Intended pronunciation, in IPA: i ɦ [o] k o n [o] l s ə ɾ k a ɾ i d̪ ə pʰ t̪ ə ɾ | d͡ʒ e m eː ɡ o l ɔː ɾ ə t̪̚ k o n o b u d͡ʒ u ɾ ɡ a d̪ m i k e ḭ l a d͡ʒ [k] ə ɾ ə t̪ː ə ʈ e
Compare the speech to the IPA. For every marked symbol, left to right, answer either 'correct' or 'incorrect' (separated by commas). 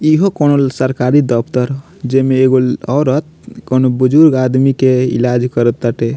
correct, correct, correct